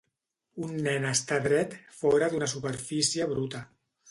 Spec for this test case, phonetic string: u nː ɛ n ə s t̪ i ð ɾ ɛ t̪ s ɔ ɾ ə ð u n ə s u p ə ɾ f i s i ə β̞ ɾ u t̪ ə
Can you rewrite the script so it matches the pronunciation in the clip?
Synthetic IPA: u nː ɛ n ə s t̪ a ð ɾ ɛ t̪ f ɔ ɾ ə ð u n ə s u p ə ɾ f i s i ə β̞ ɾ u t̪ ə